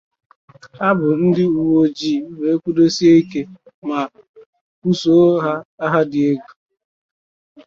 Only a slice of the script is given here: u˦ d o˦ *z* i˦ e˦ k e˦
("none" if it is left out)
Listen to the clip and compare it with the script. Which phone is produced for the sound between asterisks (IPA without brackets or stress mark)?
s